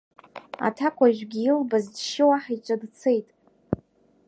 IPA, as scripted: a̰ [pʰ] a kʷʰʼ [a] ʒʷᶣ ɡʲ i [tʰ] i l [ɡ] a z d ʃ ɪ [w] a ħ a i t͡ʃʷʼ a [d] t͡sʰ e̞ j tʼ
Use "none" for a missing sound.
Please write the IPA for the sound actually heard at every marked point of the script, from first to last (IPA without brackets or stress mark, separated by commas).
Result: tʰ, a, none, b, w, d